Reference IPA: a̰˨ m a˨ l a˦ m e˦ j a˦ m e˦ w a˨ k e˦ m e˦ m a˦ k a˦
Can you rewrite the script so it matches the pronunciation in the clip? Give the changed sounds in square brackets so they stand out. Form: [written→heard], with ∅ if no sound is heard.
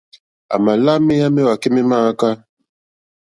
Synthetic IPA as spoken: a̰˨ m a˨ l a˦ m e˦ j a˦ m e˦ w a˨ k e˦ m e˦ m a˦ k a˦